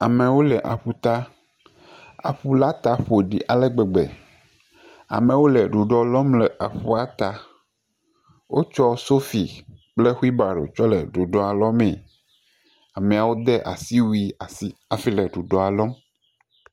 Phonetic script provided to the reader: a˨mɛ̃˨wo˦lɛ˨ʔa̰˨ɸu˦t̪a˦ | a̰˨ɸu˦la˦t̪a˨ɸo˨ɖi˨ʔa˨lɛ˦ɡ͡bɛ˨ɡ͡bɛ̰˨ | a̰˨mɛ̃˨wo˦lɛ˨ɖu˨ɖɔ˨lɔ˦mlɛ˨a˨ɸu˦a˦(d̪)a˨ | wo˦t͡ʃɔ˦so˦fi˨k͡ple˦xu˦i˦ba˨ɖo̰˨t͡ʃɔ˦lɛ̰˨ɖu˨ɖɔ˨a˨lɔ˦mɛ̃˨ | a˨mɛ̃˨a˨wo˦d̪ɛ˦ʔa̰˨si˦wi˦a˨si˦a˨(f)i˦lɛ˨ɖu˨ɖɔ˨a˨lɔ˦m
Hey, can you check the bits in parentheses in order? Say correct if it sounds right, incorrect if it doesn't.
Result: incorrect: t̪, correct

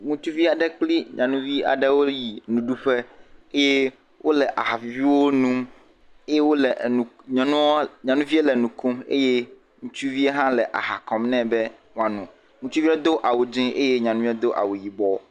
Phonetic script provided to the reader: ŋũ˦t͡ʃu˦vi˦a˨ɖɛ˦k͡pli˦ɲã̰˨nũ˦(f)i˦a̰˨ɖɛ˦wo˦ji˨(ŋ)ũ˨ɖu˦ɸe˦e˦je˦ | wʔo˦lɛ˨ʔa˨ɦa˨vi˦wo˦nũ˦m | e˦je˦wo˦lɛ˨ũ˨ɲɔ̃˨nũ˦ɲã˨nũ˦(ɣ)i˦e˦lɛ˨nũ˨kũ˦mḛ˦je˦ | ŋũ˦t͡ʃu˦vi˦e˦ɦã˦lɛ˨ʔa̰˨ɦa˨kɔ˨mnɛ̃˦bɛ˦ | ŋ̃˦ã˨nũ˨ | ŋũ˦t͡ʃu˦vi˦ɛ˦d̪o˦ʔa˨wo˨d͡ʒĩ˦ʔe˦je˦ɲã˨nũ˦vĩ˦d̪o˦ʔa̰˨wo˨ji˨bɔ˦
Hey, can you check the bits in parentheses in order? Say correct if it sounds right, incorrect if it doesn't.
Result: incorrect: v, incorrect: n, incorrect: v

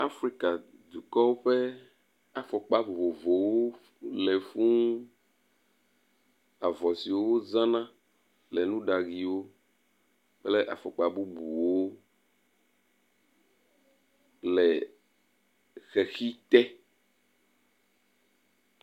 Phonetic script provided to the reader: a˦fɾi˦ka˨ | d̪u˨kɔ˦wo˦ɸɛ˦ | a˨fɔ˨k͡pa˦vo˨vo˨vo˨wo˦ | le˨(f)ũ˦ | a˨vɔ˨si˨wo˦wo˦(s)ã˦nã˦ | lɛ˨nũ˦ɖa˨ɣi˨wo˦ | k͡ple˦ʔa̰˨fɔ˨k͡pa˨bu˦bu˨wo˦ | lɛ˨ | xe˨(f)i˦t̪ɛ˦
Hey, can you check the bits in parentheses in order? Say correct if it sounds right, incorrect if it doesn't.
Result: correct, incorrect: z, incorrect: x

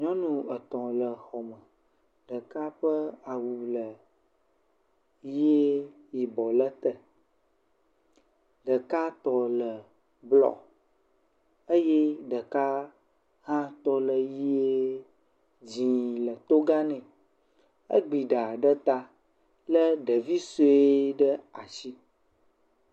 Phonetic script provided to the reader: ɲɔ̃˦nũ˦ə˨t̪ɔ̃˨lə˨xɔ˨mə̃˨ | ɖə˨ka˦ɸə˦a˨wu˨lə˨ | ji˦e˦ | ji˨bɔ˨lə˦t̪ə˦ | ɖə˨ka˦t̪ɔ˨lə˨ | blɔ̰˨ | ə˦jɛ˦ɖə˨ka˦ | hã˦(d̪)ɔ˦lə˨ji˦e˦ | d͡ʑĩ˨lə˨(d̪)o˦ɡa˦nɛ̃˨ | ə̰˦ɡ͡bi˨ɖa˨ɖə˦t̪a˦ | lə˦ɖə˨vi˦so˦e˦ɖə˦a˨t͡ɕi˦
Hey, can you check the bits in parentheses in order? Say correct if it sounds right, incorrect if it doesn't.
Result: incorrect: t̪, incorrect: t̪

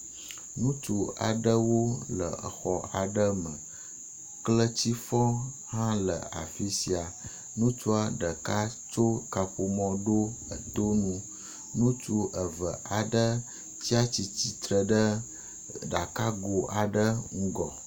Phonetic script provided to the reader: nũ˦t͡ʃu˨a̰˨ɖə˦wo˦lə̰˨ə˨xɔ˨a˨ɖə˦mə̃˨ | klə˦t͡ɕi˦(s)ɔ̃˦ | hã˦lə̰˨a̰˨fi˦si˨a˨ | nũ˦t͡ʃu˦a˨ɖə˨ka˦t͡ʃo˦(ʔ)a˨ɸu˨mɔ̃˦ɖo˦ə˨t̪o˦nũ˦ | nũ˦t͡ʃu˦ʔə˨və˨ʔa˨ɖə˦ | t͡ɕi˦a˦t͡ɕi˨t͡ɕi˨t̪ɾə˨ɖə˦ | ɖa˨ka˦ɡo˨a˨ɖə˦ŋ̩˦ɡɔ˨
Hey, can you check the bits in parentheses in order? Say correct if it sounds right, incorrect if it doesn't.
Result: incorrect: f, incorrect: k

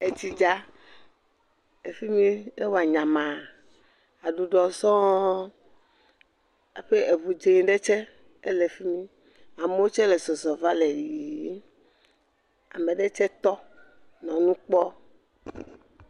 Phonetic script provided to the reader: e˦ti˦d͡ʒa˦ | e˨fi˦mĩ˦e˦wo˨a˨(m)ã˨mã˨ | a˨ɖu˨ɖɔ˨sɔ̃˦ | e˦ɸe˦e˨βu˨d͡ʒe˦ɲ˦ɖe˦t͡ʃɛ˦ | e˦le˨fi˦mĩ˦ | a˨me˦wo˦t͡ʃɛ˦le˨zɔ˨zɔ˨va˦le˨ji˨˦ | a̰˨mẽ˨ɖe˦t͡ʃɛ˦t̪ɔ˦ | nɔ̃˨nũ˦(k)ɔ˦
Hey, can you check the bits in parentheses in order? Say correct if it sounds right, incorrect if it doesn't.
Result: incorrect: ɲ, incorrect: k͡p

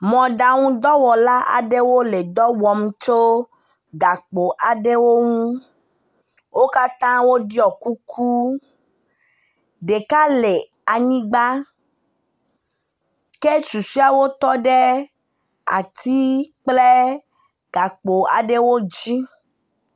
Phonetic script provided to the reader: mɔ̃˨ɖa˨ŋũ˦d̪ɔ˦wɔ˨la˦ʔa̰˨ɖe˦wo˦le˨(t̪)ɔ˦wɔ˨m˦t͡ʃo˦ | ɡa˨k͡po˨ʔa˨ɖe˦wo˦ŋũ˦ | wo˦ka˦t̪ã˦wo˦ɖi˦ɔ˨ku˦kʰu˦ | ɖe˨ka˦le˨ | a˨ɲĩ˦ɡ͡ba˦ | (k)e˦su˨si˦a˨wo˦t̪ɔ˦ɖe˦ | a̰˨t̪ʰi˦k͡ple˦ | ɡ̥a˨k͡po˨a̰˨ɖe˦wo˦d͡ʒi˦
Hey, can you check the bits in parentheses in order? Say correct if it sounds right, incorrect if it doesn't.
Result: incorrect: d̪, correct

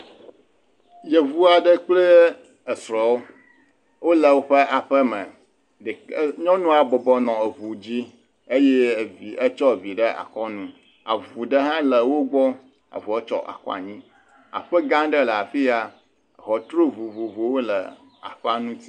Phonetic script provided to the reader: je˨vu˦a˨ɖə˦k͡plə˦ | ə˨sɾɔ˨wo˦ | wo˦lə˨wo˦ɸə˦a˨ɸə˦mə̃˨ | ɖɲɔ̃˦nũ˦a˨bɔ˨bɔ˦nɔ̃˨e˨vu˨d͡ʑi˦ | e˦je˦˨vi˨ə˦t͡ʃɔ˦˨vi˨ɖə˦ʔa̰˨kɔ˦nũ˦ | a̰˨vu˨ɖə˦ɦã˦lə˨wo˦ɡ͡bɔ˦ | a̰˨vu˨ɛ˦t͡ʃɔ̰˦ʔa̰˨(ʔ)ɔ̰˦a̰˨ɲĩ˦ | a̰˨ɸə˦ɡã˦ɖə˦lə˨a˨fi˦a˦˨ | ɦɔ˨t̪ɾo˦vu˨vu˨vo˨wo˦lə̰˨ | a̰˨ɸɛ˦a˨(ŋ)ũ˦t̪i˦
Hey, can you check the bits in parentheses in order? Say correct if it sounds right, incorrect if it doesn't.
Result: incorrect: k, incorrect: n

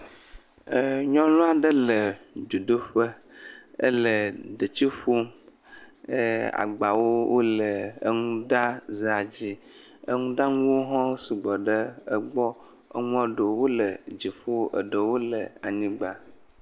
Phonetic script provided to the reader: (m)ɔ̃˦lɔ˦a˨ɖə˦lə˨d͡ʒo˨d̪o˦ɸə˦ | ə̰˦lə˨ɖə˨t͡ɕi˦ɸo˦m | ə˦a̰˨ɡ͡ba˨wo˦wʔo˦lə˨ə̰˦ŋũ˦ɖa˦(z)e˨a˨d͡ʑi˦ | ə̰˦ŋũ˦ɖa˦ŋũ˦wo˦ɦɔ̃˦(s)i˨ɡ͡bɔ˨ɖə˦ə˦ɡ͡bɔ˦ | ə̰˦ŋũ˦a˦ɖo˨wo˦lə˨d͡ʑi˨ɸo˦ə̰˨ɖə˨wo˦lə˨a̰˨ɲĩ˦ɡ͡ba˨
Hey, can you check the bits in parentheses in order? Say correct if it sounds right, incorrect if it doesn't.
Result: incorrect: ɲ, correct, correct

